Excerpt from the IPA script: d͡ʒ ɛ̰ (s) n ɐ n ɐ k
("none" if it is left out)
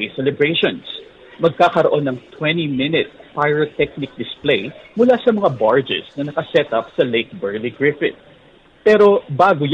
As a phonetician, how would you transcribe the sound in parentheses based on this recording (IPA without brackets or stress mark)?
s